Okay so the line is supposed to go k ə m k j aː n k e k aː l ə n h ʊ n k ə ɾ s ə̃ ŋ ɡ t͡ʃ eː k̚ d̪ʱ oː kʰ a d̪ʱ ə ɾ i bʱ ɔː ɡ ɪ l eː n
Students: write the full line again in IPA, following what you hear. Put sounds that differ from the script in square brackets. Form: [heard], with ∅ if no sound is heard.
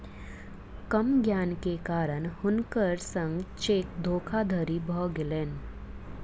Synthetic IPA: k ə m [ɡ] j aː n k e k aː [ɾ] ə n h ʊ n k ə ɾ s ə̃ ŋ ɡ t͡ʃ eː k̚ d̪ʱ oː kʰ a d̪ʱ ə ɾ i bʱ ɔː ɡ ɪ l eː n